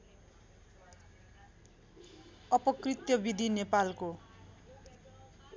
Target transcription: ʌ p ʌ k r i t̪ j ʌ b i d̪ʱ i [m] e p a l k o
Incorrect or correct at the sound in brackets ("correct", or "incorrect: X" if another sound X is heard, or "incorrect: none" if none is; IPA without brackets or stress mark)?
incorrect: n